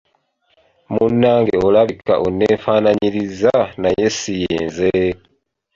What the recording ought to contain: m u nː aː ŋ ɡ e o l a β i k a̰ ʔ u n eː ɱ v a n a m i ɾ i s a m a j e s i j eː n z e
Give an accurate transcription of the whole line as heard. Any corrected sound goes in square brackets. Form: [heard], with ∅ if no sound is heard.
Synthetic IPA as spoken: m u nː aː ŋ ɡ e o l a β i k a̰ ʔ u n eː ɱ [f] a n a [ɲ] i ɾ i [z] a [n] a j e s i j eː n z e